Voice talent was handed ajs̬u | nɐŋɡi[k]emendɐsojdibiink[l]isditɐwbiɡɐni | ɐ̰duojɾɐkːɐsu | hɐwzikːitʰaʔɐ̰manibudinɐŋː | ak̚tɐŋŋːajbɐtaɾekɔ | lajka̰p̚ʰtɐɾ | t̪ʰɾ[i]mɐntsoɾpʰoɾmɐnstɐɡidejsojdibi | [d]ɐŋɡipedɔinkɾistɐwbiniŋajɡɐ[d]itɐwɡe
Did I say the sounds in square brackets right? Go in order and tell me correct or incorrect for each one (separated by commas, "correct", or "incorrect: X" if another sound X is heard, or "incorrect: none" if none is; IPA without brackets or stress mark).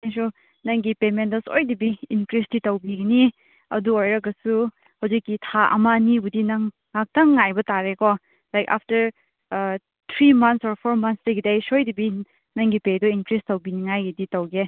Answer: incorrect: p, incorrect: ɾ, correct, incorrect: n, correct